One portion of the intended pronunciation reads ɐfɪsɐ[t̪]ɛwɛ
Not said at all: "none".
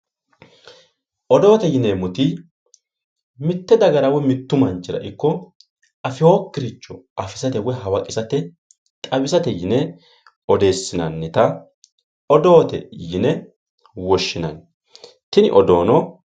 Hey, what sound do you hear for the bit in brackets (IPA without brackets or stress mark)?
t̪